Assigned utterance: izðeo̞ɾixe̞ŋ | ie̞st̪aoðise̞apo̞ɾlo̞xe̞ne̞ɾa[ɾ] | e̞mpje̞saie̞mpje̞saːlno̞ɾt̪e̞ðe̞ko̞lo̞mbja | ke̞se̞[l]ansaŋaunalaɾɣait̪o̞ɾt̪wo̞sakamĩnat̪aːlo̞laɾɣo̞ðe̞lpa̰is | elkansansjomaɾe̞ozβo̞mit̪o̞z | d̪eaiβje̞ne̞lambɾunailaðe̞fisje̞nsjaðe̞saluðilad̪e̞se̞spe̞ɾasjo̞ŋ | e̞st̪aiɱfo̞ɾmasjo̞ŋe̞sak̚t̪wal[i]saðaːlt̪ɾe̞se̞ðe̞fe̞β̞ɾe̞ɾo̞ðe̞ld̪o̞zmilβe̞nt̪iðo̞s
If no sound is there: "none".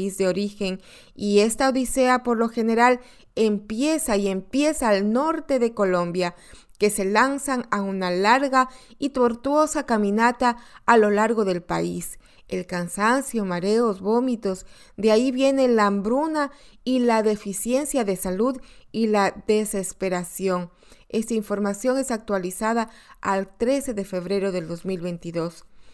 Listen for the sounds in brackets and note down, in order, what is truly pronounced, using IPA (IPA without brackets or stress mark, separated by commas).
l, l, i